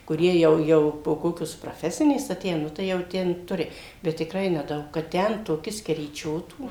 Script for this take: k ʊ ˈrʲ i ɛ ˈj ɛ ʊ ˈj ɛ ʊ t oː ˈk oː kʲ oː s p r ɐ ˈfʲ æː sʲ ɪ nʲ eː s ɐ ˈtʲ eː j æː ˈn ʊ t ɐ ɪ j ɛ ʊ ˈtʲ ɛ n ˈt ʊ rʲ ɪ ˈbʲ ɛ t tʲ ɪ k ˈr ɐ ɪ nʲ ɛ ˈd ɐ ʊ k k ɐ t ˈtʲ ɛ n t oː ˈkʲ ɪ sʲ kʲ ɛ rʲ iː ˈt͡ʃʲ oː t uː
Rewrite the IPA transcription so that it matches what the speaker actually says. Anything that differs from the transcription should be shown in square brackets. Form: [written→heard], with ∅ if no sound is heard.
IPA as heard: k ʊ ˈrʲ i ɛ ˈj ɛ ʊ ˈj ɛ ʊ [t→p] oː ˈk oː kʲ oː s p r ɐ ˈfʲ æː sʲ ɪ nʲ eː s ɐ ˈtʲ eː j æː ˈn ʊ t ɐ ɪ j ɛ ʊ ˈtʲ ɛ n ˈt ʊ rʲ ɪ ˈbʲ ɛ t tʲ ɪ k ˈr ɐ ɪ nʲ ɛ ˈd ɐ ʊ k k ɐ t ˈtʲ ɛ n t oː ˈkʲ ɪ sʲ kʲ ɛ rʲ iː ˈt͡ʃʲ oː t uː